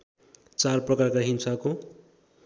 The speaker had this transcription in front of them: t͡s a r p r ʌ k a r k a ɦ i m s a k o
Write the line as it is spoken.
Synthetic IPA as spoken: t͡s a r p r ʌ k a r k a ɦ i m s a k o